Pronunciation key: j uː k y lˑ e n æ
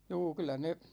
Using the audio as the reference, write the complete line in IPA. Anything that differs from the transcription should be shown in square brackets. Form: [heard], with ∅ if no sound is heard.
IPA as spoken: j uː k y lˑ [æ] n [e]